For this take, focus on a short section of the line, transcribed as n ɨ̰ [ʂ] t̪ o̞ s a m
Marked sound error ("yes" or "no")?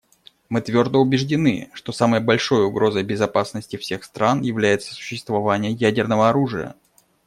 no